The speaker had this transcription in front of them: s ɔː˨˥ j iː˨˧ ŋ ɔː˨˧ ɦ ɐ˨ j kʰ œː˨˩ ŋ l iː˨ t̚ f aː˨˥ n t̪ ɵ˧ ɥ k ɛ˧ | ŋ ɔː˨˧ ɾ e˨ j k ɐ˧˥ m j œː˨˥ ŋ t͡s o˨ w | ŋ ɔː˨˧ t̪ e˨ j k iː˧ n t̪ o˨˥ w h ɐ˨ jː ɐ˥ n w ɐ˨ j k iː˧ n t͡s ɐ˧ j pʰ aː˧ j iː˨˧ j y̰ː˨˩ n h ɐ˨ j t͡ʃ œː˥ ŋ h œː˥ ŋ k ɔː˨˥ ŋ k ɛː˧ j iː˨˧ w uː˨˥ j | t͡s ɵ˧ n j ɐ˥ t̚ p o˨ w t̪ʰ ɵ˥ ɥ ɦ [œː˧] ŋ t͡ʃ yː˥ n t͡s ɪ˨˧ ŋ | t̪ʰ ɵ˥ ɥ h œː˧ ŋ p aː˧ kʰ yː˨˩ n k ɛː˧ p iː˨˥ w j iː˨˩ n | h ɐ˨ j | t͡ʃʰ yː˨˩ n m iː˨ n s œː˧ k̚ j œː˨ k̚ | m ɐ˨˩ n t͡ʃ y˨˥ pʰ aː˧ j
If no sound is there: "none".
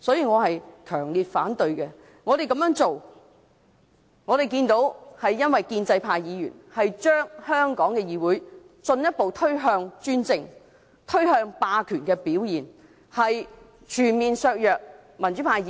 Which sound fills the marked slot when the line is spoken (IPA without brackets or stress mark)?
œː˧